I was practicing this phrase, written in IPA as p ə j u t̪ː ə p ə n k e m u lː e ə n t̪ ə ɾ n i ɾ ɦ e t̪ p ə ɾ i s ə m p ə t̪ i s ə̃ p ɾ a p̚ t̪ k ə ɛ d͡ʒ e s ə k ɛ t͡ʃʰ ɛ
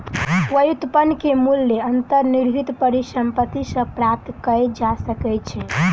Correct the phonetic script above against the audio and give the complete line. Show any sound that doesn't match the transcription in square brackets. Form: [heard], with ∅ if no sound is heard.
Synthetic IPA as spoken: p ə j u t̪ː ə p ə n k e m u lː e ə n t̪ ə ɾ n i ɾ ɦ [i] t̪ p ə ɾ i s ə m p ə t̪ i s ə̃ p ɾ a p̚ t̪ k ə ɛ d͡ʒ [a] s ə k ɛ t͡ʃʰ ɛ